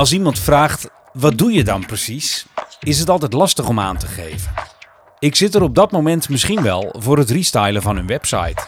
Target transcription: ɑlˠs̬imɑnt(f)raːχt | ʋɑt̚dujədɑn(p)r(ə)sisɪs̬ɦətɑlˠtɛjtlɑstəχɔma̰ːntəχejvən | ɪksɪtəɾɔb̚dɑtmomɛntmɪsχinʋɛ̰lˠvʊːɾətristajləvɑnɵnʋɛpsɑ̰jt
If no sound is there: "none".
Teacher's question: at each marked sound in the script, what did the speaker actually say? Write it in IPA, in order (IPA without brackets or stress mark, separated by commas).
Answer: f, p, ə